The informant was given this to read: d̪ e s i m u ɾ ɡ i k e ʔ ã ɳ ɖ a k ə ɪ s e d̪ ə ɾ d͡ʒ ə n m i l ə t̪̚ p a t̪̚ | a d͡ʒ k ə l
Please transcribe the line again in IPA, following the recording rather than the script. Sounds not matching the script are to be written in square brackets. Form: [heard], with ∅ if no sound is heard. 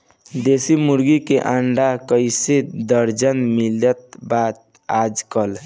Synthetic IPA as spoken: d̪ e s i m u ɾ ɡ i k e ʔ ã ɳ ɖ a k ə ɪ s e d̪ ə ɾ d͡ʒ ə n m i l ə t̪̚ [b] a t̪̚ | a d͡ʒ k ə l